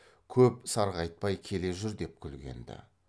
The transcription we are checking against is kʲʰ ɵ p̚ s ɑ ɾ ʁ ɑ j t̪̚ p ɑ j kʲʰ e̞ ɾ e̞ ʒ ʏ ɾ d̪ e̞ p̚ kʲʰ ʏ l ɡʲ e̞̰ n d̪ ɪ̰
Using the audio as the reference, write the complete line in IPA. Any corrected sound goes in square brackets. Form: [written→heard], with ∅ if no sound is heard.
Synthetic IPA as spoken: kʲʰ ɵ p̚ s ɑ ɾ ʁ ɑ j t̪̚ p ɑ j kʲʰ e̞ [ɾ→l] e̞ ʒ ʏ ɾ d̪ e̞ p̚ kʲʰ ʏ l ɡʲ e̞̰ n d̪ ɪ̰

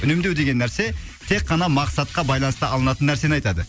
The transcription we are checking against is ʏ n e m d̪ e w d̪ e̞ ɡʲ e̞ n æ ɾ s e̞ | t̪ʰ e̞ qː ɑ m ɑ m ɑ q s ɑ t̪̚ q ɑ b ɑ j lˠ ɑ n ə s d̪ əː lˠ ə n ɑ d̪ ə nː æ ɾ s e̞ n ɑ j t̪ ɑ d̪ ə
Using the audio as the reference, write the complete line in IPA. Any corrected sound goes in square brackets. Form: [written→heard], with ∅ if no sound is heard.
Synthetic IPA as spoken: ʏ n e m d̪ e w d̪ e̞ ɡʲ e̞ [n→nː] æ ɾ s e̞ | t̪ʰ e̞ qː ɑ [m→n] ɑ m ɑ q s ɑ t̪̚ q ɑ b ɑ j lˠ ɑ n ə s [d̪→t̪] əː lˠ ə n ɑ [d̪→t̪] ə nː æ ɾ s e̞ n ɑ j t̪ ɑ d̪ ə

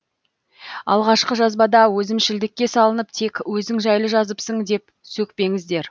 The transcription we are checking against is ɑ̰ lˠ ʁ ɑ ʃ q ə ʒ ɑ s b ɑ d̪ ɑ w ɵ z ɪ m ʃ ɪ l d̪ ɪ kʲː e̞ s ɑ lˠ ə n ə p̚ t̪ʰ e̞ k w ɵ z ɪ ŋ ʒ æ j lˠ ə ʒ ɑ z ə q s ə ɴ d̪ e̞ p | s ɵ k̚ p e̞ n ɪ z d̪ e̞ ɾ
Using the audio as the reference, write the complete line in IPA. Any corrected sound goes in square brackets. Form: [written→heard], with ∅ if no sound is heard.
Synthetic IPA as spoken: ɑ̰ lˠ ʁ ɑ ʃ q ə ʒ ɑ [s→z] b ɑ d̪ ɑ w ɵ z ɪ m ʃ ɪ l d̪ ɪ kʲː e̞ s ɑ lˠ ə n ə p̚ t̪ʰ e̞ k w ɵ z ɪ ŋ ʒ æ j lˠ ə ʒ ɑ z ə [q→p] s ə ɴ d̪ e̞ p | s ɵ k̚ p e̞ [n→ŋ] ɪ z d̪ e̞ ɾ

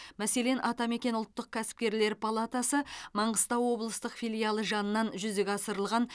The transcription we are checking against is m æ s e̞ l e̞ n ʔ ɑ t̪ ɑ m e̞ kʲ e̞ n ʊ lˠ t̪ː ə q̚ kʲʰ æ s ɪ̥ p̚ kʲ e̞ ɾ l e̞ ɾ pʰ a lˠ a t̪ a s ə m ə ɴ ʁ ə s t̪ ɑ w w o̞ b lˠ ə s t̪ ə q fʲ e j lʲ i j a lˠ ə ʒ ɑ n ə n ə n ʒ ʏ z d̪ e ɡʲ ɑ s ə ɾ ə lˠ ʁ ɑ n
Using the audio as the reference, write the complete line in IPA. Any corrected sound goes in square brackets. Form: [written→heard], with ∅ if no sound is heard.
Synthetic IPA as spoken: m æ s e̞ l e̞ n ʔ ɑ t̪ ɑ m e̞ kʲ e̞ n ʊ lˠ t̪ː ə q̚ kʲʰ æ s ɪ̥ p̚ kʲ e̞ ɾ l e̞ ɾ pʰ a lˠ a t̪ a s ə m [ə→ɑ] ɴ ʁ ə s t̪ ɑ w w o̞ b lˠ ə s t̪ ə q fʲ [e→i] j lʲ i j a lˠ ə ʒ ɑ n ə n [ə→ɑ] n ʒ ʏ z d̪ e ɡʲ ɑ s ə ɾ ə lˠ ʁ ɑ n

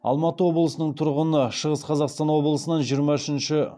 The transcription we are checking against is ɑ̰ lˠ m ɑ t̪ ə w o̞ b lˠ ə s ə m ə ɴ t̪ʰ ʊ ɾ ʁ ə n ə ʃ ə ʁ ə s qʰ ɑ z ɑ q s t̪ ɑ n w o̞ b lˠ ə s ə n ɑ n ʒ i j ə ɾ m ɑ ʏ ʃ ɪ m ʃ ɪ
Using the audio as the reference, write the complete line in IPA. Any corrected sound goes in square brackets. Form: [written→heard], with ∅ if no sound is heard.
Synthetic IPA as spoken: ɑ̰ lˠ m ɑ t̪ ə w o̞ b lˠ ə s ə [m→n] ə ɴ t̪ʰ ʊ ɾ ʁ ə n ə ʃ ə ʁ ə s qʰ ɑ z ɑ q s t̪ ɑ n w o̞ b lˠ ə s ə n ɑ n ʒ i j ə ɾ m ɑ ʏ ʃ ɪ [m→n] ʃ ɪ

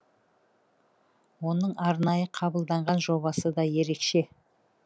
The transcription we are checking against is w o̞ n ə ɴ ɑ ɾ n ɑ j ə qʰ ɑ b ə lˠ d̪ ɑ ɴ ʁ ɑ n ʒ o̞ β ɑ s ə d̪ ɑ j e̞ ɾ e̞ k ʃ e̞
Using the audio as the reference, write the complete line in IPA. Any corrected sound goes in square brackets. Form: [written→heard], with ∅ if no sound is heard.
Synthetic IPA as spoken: w o̞ n ə ɴ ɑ ɾ n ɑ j ə qʰ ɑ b ə lˠ d̪ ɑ ɴ ʁ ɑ n ʒ o̞ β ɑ s ə d̪ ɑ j e̞ ɾ e̞ k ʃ e̞

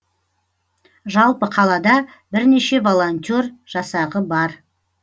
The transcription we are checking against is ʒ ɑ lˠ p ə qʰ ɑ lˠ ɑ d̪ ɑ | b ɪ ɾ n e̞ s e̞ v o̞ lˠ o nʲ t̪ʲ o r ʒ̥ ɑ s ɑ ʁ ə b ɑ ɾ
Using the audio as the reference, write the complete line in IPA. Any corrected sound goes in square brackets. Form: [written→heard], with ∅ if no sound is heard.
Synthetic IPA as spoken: ʒ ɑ lˠ p ə qʰ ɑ lˠ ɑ d̪ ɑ | b ɪ ɾ n e̞ [s→ʃ] e̞ v o̞ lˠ o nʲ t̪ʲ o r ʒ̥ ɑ s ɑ ʁ ə b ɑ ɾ

